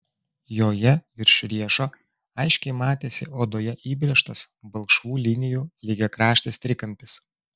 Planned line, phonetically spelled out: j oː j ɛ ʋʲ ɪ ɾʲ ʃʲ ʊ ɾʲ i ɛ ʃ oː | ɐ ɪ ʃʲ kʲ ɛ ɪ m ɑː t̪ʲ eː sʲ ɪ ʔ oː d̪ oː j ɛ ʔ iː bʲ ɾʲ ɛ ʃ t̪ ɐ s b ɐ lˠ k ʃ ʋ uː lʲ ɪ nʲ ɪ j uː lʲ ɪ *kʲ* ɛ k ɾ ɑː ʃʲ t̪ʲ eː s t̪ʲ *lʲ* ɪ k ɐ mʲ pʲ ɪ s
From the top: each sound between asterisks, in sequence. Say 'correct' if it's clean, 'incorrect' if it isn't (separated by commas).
incorrect, incorrect